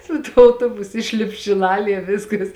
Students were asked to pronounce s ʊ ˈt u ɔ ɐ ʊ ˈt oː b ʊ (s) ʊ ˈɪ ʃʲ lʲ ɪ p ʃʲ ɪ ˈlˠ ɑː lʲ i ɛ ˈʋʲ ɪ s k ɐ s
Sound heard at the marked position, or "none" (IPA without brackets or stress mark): s